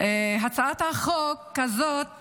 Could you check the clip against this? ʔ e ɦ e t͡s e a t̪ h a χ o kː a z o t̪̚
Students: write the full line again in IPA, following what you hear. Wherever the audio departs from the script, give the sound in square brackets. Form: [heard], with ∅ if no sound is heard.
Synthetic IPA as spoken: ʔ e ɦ [a] t͡s [a] a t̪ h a χ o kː a z o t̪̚